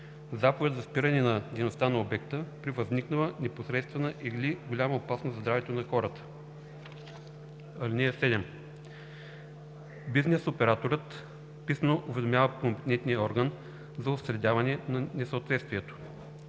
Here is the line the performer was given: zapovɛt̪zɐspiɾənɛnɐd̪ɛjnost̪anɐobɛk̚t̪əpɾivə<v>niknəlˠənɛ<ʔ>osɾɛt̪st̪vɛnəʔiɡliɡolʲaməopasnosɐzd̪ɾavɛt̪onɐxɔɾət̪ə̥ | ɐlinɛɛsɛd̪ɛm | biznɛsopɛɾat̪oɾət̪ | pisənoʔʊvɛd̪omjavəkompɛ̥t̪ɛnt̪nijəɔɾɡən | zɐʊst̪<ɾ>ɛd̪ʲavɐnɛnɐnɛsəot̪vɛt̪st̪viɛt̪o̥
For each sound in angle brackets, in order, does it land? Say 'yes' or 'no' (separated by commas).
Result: no, no, yes